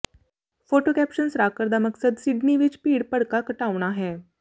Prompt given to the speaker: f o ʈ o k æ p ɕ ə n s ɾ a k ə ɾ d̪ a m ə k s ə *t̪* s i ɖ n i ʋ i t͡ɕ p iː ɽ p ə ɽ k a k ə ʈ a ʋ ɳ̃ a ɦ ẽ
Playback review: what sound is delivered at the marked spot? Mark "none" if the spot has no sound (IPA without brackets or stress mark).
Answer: d̪